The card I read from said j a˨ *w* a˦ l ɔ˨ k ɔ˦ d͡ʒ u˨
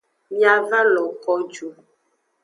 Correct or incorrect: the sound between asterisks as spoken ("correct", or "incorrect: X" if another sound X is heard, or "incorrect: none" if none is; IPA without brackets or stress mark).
incorrect: v